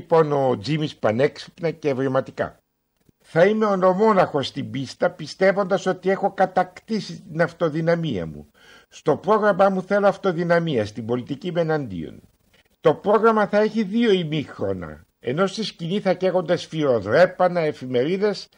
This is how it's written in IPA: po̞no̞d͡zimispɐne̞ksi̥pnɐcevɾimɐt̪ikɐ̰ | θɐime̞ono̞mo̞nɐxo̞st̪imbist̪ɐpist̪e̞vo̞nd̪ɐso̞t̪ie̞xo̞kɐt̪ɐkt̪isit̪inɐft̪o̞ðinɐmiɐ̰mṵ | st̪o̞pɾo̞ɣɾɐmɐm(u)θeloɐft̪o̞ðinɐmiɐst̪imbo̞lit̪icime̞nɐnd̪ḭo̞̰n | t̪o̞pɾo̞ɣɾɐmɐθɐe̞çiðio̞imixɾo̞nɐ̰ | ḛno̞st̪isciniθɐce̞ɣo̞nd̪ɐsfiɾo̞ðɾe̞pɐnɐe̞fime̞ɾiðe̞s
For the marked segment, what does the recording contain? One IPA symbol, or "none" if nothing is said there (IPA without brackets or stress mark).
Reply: u